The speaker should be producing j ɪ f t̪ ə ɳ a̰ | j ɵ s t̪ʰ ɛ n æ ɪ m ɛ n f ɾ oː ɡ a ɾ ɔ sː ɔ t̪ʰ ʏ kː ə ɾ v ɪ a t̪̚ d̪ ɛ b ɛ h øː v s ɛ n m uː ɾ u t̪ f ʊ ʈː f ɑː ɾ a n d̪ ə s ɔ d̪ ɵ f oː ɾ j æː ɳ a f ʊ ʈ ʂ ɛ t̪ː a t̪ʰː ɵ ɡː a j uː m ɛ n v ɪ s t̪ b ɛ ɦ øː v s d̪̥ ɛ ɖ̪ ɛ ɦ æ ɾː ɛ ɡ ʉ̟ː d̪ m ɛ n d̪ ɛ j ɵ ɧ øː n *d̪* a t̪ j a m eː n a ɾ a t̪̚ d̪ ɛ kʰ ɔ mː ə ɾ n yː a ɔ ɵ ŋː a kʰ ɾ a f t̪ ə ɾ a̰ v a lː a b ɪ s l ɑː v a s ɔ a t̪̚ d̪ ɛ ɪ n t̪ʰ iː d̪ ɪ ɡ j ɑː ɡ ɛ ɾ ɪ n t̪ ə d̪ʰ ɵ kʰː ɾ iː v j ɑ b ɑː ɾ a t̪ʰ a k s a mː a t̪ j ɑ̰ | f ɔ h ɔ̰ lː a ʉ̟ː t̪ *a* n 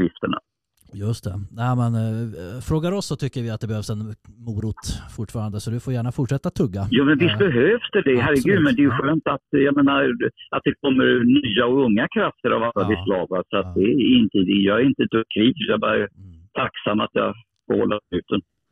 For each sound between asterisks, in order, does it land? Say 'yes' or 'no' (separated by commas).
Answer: no, no